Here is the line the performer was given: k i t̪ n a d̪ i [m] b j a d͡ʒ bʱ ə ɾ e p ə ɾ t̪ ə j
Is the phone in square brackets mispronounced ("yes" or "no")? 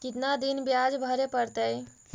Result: yes